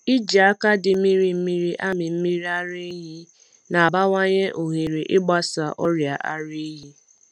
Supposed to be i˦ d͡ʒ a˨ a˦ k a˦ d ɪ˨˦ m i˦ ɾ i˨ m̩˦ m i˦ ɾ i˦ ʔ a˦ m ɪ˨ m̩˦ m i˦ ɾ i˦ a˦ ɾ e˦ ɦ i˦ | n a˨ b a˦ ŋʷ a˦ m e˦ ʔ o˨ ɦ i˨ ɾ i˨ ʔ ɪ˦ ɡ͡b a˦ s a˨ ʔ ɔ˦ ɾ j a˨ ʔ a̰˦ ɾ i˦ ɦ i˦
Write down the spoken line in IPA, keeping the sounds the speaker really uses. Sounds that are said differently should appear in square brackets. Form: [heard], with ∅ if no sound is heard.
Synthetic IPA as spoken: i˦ d͡ʒ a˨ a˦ k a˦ d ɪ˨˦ m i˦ ɾ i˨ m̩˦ m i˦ ɾ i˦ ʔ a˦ m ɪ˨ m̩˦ m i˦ ɾ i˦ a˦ ɾ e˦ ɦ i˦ | n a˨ b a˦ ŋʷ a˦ [ɲ] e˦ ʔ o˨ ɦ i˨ ɾ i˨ ʔ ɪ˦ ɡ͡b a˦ s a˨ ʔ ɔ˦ ɾ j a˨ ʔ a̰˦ ɾ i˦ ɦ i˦